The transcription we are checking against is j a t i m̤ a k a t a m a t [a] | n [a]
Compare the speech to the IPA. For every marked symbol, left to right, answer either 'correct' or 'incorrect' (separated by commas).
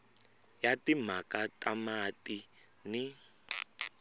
incorrect, incorrect